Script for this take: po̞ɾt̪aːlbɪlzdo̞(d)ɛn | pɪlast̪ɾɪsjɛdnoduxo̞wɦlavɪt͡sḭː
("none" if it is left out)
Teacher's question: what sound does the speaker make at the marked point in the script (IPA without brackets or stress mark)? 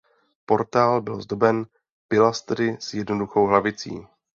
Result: b